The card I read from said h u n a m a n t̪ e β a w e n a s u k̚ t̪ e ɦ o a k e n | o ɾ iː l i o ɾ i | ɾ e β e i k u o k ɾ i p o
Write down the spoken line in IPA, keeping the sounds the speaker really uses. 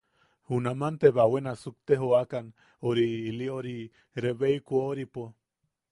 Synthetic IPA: h u n a m a n t̪ e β a w e n a s u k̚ t̪ e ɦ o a k a n | o ɾ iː l i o ɾ i | ɾ e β e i k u o ɾ i p o